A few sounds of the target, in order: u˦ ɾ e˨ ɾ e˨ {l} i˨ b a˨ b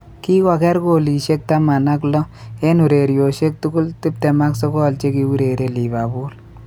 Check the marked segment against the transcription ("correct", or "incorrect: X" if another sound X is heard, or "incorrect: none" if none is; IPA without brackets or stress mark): correct